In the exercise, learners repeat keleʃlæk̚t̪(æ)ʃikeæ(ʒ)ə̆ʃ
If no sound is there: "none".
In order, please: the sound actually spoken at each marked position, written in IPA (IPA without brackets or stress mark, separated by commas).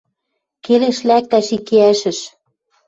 æ, ʃ